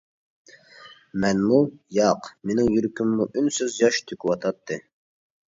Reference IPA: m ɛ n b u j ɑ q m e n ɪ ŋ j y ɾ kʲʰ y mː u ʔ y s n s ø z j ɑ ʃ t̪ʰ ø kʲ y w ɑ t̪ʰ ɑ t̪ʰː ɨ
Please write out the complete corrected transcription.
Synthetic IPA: m ɛ n m u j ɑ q m e n ɪ ŋ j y ɾ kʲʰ y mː u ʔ y n s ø z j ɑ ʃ t̪ʰ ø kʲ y w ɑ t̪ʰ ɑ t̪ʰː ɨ